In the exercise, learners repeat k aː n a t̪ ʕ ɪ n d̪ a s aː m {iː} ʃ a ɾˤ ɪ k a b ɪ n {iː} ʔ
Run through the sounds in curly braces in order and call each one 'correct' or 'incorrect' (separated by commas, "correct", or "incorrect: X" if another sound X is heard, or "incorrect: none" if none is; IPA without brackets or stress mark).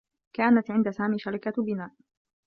correct, incorrect: aː